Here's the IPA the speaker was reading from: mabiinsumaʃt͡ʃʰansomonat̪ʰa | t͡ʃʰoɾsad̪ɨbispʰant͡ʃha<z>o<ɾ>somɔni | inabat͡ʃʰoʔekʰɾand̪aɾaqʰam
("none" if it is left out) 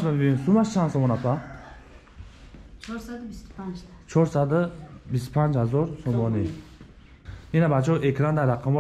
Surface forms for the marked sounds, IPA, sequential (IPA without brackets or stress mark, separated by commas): z, ɾ